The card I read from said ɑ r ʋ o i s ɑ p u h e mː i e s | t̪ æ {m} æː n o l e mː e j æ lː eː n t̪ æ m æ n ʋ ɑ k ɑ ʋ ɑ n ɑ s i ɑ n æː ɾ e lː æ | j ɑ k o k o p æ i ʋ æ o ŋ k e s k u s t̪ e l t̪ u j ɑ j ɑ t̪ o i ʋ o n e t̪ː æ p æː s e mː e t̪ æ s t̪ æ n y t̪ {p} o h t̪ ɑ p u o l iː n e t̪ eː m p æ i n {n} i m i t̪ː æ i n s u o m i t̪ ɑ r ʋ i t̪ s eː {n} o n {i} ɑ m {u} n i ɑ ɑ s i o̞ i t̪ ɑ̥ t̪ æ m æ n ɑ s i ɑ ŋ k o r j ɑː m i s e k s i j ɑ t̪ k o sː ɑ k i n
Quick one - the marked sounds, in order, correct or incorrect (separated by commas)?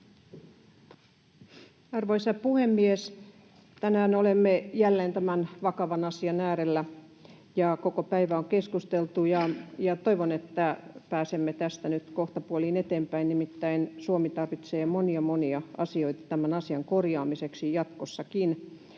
incorrect, incorrect, correct, incorrect, correct, incorrect